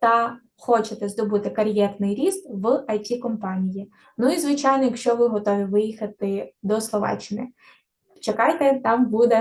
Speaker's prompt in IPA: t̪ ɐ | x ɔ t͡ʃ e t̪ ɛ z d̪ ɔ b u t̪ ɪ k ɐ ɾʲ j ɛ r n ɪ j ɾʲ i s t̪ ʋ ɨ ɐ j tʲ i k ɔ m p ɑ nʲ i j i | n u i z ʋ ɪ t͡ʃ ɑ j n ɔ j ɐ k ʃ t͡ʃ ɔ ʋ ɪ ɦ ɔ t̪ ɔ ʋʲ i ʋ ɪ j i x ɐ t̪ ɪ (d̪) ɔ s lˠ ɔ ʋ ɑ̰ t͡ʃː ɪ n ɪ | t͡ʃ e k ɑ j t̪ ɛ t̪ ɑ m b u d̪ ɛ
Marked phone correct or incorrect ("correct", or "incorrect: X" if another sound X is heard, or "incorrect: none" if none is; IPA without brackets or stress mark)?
correct